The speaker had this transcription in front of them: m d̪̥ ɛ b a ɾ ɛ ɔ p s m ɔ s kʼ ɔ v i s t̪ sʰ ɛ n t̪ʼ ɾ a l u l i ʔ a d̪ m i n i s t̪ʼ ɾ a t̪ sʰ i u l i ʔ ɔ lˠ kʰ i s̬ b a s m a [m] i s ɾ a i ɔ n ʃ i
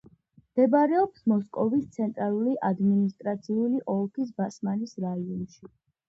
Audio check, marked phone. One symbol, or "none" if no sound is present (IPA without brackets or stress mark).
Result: n